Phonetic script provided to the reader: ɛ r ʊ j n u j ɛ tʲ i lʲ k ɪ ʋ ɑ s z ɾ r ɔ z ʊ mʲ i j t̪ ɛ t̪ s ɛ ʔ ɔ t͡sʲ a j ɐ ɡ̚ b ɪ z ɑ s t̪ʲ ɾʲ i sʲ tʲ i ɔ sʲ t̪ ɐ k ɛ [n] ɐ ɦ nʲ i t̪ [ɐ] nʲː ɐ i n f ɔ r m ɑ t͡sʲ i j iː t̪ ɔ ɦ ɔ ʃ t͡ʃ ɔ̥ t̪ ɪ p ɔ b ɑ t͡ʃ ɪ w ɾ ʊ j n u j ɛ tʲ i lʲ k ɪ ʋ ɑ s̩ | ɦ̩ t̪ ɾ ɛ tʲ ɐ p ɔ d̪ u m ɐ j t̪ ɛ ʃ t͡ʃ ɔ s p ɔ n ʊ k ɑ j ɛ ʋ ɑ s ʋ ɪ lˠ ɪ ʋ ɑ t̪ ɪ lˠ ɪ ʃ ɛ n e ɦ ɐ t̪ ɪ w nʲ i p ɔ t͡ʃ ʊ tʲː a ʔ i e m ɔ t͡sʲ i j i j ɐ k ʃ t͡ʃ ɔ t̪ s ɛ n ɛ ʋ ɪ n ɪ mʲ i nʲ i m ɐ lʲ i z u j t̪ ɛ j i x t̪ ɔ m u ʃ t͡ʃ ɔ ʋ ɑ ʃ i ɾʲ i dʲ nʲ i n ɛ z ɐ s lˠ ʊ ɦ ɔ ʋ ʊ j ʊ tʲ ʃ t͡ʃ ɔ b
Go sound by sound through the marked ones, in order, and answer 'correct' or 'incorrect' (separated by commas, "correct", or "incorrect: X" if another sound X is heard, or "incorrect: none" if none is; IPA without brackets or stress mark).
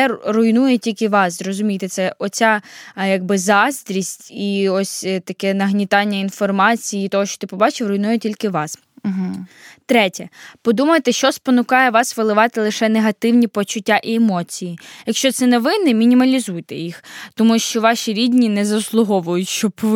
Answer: correct, incorrect: ɑ